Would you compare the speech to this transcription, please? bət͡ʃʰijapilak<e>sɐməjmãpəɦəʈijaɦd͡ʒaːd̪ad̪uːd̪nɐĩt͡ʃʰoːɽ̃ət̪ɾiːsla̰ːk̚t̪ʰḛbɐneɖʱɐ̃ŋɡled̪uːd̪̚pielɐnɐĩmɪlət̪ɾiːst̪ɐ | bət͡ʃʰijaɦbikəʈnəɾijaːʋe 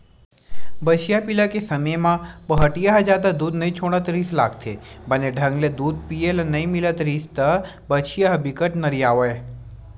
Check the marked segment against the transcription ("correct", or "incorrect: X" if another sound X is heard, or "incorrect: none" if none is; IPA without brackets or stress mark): correct